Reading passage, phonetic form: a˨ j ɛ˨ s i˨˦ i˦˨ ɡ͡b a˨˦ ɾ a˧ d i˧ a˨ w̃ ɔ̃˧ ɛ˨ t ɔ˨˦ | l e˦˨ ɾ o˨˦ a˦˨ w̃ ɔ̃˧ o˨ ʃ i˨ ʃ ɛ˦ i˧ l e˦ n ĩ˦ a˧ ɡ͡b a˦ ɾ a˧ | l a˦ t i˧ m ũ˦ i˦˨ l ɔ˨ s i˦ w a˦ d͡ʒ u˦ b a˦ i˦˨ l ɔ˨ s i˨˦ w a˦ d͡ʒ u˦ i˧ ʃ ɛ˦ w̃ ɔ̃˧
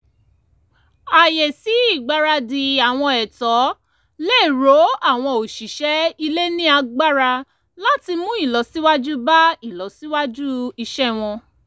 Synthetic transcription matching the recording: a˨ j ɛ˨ s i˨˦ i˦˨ ɡ͡b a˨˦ ɾ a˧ d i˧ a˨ w̃ ɔ̃˧ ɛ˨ t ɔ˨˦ | l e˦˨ ɾ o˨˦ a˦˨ w̃ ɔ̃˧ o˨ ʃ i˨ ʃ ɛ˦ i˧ l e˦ n ĩ˦ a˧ ɡ͡b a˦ ɾ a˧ | l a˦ t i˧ m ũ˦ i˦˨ l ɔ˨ s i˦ w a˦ d͡ʒ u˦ b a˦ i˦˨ l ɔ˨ s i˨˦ w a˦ d͡ʒ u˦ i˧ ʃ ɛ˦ w̃ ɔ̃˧